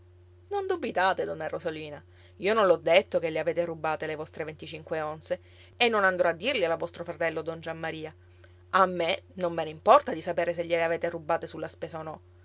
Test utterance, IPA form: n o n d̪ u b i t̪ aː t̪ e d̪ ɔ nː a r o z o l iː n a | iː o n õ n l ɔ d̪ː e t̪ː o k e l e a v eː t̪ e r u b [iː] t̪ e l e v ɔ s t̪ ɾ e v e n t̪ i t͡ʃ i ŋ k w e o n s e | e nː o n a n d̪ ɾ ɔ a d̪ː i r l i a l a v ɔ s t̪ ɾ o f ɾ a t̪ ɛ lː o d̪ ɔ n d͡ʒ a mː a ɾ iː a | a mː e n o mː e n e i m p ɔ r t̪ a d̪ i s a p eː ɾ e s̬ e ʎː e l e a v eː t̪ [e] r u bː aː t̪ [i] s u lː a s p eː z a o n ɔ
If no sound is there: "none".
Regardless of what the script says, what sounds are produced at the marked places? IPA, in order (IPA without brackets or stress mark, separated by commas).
aː, e, e